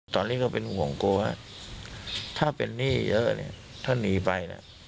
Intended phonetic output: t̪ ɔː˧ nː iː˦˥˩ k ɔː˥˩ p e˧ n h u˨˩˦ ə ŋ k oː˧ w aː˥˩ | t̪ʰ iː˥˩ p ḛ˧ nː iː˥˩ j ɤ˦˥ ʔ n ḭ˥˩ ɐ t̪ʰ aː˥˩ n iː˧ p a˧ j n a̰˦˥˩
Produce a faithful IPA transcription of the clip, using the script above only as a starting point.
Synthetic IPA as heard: t̪ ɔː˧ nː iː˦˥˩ k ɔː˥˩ p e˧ n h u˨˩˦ ə ŋ k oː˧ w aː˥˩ | t̪ʰ aː˥˩ p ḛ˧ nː iː˥˩ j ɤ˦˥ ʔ n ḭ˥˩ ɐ t̪ʰ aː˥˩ n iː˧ p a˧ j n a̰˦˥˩